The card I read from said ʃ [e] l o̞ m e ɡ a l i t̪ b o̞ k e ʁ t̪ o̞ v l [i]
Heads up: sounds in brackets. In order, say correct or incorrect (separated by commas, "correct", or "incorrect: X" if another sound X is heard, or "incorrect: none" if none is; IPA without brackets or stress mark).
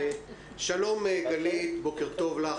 incorrect: a, incorrect: a